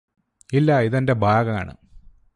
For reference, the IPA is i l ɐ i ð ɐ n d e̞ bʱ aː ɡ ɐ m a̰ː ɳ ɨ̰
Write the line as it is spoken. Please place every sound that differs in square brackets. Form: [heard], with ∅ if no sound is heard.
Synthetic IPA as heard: i [lː] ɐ i ð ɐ n d e̞ bʱ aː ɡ ɐ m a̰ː ɳ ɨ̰